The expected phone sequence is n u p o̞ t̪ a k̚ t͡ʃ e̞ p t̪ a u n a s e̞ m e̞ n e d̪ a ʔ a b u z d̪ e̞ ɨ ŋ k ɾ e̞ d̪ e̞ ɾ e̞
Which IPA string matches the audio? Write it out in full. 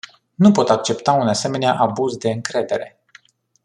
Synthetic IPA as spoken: n u p o̞ t̪ a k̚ t͡ʃ e̞ p t̪ a u n a s e̞ m e̞ n e a ʔ a b u z d̪ e̞ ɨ ŋ k ɾ e̞ d̪ e̞ ɾ e̞